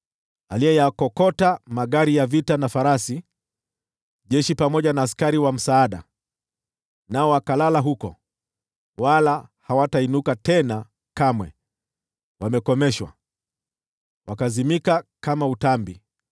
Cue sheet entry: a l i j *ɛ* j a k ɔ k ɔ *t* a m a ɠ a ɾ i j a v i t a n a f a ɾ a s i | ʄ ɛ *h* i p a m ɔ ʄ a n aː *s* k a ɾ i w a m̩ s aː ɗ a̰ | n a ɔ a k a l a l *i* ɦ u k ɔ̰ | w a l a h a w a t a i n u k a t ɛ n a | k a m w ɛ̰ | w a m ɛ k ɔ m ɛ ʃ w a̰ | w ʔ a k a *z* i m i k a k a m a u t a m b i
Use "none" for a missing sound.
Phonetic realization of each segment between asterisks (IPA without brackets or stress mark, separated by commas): ɛ, t, ʃ, s, a, z